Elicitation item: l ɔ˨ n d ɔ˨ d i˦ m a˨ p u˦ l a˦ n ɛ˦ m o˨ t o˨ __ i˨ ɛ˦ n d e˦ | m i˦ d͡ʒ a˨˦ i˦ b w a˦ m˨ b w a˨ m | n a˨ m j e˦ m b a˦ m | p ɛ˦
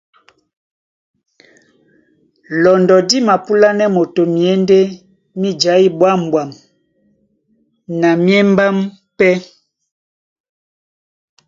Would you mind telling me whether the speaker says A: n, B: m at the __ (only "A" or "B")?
B